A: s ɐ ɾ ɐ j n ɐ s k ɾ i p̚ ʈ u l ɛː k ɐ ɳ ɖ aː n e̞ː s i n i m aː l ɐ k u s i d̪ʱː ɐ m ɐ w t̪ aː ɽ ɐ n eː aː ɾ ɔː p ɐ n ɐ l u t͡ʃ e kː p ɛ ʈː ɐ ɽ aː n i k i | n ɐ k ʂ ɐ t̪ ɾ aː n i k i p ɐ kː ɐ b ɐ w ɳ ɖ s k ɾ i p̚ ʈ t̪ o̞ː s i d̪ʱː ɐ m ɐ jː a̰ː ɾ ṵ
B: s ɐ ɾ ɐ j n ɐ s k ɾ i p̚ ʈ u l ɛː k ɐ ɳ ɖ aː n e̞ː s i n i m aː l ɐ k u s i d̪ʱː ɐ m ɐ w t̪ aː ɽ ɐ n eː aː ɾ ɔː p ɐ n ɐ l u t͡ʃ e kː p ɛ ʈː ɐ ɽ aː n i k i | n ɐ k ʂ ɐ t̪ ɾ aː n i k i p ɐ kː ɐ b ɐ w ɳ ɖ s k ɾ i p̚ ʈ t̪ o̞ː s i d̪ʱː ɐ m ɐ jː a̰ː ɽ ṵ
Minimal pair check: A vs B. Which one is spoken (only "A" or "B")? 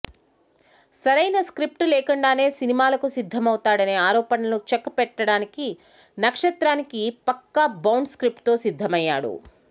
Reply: B